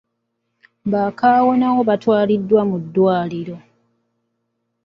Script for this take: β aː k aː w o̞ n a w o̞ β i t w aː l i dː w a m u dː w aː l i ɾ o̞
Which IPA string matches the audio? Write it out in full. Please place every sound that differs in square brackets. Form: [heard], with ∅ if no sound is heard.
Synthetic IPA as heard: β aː k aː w o̞ n a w o̞ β [a] t w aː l i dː w a m u dː w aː l i ɾ o̞